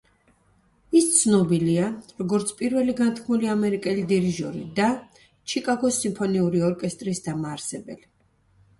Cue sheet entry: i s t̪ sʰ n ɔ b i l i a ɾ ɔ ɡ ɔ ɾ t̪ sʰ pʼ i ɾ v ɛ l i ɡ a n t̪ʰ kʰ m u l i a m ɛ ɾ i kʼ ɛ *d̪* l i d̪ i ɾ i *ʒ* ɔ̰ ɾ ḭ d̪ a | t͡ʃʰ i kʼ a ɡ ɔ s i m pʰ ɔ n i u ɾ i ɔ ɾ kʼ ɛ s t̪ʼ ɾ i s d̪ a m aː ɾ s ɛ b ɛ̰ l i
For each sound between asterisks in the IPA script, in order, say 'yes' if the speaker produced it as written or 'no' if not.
no, yes

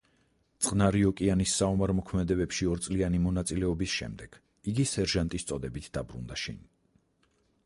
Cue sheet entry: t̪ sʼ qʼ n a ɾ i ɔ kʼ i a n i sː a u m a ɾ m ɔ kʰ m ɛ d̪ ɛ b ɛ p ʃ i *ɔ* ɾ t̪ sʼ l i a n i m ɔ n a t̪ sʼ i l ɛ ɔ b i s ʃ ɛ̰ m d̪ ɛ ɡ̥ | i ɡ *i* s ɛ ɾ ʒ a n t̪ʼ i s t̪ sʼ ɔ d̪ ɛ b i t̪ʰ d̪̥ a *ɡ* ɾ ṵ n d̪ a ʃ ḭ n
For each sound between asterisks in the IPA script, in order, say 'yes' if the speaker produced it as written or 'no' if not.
yes, yes, no

